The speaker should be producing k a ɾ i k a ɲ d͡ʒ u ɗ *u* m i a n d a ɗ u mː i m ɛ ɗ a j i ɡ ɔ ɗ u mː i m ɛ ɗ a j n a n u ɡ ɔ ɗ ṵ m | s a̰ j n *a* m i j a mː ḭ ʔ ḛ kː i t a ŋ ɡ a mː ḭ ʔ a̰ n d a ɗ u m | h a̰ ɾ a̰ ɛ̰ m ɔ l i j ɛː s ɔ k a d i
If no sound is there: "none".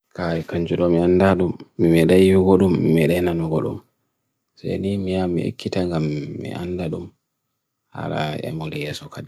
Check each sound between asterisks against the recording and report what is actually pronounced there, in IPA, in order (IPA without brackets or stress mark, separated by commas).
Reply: ɔ, i